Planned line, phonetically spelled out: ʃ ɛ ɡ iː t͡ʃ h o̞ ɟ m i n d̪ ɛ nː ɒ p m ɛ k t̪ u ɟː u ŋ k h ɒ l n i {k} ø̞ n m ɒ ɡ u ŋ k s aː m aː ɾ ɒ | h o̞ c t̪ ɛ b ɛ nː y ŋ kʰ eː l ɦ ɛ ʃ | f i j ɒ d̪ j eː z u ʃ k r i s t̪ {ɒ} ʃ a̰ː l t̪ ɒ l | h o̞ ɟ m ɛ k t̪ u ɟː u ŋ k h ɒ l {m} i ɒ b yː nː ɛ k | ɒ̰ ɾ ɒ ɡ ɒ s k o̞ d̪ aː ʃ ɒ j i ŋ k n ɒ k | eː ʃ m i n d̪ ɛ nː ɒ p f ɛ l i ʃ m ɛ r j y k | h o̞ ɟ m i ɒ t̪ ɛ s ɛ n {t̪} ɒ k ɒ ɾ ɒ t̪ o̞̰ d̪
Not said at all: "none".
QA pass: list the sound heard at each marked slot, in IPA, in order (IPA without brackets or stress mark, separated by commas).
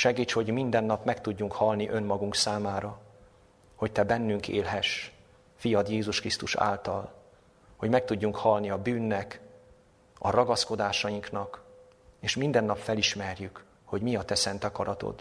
ʔ, u, n, t̪